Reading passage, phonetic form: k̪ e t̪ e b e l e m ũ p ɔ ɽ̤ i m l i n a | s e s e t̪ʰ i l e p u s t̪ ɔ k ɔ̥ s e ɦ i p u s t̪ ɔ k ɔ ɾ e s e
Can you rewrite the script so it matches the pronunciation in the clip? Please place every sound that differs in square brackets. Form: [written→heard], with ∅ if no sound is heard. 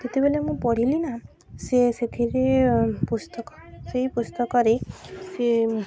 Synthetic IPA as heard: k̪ e t̪ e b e l e m ũ p ɔ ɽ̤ i [m→∅] l i n a | s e s e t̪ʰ i [l→ɾ] e p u s t̪ ɔ k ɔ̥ s e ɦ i p u s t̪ ɔ k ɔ ɾ e s e